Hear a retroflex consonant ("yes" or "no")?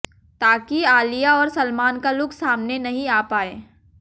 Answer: no